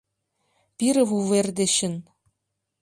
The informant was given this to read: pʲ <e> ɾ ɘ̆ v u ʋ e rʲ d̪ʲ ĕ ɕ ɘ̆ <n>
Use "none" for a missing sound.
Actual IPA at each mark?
i, n

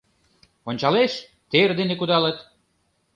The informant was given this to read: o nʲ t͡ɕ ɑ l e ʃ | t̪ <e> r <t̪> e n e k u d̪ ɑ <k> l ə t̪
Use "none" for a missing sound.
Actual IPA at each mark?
e, d̪, none

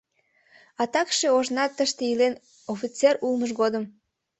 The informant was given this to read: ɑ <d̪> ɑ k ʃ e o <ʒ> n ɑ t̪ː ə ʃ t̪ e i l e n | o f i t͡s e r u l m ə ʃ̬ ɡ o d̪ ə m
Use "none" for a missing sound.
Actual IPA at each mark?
t̪, ʒ

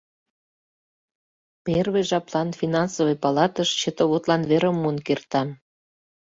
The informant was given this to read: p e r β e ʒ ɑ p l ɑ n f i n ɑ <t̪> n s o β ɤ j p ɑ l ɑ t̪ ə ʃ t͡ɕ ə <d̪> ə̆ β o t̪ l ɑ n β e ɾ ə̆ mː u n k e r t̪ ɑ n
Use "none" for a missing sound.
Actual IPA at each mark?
none, t̪

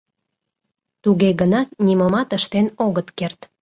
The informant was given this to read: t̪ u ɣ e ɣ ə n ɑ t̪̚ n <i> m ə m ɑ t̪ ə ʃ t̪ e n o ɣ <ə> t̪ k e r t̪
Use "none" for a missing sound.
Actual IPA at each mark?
i, ə

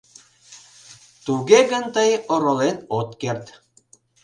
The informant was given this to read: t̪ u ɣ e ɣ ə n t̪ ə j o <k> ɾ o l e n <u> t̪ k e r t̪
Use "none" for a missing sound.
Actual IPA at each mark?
none, o

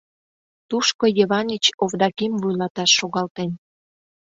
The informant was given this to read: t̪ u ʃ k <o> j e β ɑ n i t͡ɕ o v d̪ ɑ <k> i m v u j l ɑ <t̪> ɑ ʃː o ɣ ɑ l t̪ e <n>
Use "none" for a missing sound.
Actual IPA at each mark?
o, k, t̪, n

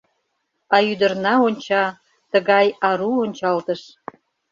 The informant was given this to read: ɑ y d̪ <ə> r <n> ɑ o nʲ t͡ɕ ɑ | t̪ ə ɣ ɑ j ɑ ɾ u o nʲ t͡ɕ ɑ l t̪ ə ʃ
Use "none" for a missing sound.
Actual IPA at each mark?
ə, n

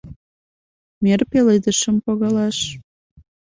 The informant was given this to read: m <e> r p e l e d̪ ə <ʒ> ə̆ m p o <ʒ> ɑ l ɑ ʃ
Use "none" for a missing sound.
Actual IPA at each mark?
e, ʃ, ɣ

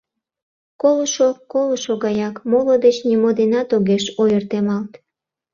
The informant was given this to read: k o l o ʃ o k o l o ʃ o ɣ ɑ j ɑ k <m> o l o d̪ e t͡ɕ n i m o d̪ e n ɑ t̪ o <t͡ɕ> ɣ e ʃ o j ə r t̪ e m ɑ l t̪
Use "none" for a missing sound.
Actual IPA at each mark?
m, none

